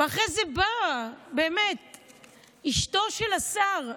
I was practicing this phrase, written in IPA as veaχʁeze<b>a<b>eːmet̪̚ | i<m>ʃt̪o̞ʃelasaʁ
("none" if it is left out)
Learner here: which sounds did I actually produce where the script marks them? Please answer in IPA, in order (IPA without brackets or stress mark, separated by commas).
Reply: b, b, none